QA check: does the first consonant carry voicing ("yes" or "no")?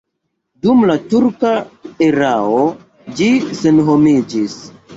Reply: yes